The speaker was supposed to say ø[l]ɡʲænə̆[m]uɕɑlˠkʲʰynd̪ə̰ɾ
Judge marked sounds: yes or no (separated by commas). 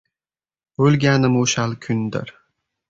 yes, yes